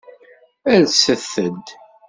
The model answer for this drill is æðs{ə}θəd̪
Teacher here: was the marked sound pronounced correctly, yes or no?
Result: yes